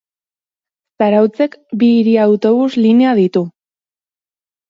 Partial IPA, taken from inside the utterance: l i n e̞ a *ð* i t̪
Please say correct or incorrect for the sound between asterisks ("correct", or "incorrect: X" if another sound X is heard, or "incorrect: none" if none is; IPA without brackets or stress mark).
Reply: correct